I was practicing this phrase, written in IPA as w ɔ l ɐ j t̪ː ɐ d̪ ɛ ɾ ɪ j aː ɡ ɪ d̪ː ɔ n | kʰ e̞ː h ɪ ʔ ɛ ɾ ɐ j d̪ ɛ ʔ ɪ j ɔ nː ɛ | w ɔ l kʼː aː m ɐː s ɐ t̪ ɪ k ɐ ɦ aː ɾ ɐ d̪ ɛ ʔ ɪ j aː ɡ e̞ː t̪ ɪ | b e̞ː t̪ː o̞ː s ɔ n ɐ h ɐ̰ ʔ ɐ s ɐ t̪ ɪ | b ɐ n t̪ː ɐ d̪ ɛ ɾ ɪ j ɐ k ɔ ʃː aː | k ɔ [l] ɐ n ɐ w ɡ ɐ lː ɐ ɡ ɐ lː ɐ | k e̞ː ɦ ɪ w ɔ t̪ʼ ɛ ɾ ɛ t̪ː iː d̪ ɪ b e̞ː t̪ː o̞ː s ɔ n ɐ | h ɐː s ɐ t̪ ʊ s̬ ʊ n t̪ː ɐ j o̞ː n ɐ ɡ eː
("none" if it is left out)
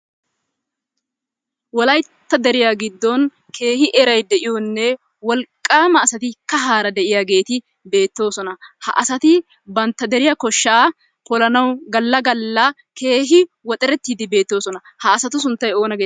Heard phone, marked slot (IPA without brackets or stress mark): l